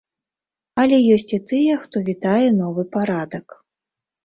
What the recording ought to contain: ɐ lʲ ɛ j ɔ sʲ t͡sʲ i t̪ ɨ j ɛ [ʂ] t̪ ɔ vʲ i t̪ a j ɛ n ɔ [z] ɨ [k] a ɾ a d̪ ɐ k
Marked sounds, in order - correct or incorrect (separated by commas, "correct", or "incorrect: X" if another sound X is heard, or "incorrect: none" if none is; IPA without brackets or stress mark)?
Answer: incorrect: x, incorrect: v, incorrect: p